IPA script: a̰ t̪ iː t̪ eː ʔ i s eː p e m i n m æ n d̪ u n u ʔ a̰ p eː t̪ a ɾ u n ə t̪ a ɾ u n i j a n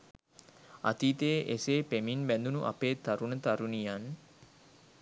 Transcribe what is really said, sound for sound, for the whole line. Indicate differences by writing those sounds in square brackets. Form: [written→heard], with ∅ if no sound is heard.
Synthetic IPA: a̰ t̪ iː t̪ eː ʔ [i→e] s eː p e m i n [m→b] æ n d̪ u n u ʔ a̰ p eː t̪ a ɾ u n ə t̪ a ɾ u n i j a n